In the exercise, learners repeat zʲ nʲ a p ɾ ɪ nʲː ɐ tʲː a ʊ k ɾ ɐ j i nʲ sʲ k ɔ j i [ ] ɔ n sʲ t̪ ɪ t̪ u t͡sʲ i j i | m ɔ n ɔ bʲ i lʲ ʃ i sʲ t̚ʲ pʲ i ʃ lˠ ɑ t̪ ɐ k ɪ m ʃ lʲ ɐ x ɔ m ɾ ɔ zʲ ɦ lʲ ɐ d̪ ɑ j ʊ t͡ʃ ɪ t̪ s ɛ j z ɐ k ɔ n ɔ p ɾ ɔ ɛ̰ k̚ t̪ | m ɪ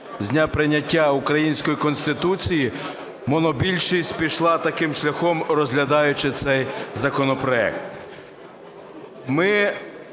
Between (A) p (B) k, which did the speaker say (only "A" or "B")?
B